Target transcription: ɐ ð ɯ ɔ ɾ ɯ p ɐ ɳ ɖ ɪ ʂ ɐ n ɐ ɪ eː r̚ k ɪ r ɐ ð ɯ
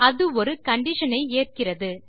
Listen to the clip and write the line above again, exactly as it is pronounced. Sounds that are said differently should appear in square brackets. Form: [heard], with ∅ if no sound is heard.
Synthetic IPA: ɐ ð ɯ ɔ ɾ ɯ [k] ɐ ɳ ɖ ɪ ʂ ɐ n ɐ ɪ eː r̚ k ɪ r ɐ ð ɯ